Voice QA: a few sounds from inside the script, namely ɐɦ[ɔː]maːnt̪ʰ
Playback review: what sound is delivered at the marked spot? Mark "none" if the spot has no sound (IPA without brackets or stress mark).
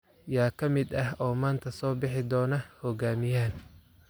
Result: ɔː